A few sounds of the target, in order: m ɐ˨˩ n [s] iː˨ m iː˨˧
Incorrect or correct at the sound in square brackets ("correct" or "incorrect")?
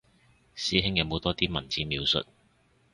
incorrect